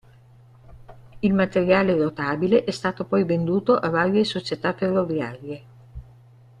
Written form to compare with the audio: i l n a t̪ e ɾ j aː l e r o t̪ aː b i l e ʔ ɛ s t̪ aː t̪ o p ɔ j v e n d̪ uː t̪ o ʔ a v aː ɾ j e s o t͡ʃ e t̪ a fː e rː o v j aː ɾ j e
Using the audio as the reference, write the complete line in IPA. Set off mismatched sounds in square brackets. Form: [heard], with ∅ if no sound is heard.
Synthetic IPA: i l [m] a t̪ e ɾ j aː l e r o t̪ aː b i l e ʔ ɛ s t̪ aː t̪ o p ɔ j v e n d̪ uː t̪ o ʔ a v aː ɾ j e s o t͡ʃ e t̪ a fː e rː o v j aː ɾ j e